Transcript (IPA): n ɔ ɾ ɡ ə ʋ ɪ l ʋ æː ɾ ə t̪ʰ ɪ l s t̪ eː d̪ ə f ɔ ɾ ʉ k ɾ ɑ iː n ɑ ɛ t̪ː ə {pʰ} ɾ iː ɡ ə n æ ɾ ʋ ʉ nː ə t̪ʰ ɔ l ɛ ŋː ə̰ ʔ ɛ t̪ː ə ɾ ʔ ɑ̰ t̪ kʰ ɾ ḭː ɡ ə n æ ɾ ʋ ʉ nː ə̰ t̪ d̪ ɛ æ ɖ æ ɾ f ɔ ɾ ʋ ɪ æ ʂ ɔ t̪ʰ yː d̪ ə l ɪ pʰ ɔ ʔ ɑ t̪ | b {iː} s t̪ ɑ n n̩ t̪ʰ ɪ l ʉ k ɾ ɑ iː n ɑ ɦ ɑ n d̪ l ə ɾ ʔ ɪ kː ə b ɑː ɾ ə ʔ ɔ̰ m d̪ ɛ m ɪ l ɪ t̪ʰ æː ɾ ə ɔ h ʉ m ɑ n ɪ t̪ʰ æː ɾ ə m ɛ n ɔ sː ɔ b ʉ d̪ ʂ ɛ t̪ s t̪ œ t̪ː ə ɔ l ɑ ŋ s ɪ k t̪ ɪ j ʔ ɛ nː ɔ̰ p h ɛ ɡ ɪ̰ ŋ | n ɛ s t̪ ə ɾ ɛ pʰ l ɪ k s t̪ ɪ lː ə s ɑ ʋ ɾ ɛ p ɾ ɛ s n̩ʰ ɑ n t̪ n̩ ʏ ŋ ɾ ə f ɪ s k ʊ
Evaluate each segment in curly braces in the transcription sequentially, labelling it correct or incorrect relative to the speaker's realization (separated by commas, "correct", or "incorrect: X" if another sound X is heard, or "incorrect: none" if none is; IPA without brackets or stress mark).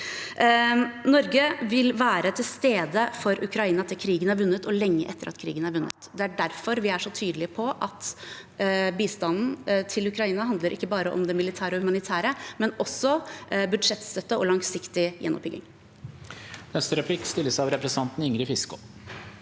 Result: incorrect: kʰ, correct